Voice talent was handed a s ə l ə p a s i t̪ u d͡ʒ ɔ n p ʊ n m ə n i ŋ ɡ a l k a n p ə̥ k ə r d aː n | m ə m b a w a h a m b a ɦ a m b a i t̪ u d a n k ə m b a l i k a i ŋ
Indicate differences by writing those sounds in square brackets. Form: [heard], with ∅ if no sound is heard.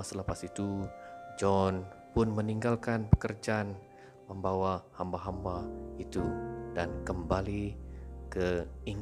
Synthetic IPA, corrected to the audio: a s ə l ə p a s i t̪ u d͡ʒ ɔ n p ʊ n m ə n i ŋ ɡ a l k a n p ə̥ k ə r [d͡ʒ] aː n | m ə m b a w a h a m b a ɦ a m b a i t̪ u d a n k ə m b a l i k [ə] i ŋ